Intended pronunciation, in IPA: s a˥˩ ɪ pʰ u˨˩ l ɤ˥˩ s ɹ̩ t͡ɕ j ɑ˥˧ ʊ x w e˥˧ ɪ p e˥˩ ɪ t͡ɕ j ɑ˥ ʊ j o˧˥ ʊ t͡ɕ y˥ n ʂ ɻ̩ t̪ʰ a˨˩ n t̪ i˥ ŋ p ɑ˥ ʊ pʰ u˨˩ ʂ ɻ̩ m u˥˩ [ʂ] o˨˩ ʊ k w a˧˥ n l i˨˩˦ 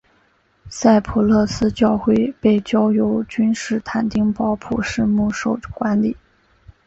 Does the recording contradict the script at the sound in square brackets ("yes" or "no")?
no